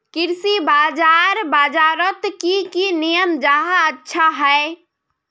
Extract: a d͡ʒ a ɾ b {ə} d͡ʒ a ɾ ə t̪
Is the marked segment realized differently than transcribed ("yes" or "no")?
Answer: yes